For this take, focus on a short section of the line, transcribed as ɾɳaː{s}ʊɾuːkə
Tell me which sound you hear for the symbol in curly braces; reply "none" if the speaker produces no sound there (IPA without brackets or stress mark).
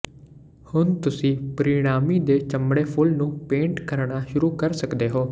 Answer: ʃ